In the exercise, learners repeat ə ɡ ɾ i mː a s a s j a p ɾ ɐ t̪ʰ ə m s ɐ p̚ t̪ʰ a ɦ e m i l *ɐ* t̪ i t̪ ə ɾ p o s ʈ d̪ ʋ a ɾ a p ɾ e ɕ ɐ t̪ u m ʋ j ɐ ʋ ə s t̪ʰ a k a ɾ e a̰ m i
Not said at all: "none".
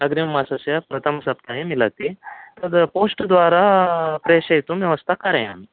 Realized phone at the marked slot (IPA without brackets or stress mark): a